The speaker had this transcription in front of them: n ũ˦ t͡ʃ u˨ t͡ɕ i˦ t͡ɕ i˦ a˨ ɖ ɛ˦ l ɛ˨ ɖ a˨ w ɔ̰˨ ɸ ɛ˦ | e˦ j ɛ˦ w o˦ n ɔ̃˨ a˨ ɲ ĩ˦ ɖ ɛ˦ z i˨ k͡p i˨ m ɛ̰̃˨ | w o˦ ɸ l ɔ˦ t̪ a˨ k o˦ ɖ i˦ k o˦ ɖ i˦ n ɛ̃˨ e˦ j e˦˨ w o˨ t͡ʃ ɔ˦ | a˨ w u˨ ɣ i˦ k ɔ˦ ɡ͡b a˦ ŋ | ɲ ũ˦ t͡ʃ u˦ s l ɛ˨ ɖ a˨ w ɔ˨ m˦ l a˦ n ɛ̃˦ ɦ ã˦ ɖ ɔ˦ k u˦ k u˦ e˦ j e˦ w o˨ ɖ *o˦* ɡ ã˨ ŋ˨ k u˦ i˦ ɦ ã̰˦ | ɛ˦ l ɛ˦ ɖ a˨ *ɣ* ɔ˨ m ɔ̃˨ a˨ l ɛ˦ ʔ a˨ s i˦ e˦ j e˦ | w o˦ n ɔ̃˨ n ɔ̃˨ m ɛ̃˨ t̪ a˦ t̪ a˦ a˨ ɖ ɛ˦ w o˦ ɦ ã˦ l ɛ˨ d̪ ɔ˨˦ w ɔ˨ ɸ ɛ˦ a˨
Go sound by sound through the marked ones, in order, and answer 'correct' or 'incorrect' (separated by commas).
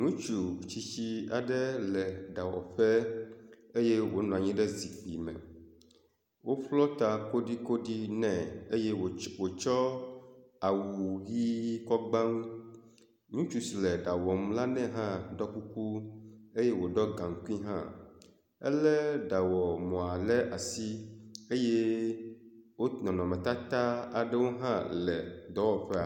incorrect, incorrect